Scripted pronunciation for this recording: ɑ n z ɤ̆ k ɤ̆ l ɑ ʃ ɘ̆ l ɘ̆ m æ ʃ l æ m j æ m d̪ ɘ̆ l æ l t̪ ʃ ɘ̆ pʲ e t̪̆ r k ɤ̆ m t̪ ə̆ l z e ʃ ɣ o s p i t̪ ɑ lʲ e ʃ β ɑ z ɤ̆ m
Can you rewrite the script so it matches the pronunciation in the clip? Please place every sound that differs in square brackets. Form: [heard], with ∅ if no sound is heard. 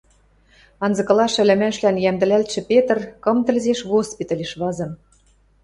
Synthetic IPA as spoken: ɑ n z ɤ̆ k ɤ̆ l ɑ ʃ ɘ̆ l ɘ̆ m æ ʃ l æ [n] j æ m d̪ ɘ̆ l æ l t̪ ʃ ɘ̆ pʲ e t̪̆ r k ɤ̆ m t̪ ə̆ l z e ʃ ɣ o s p i t̪ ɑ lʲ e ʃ β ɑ z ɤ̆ m